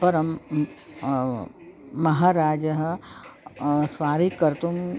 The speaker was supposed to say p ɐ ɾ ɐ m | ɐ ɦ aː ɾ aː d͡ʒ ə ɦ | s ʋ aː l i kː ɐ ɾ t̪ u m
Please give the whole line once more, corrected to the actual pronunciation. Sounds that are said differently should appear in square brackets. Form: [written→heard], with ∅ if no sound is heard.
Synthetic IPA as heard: p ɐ ɾ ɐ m | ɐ ɦ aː ɾ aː d͡ʒ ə ɦ | s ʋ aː [l→ɾ] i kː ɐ ɾ t̪ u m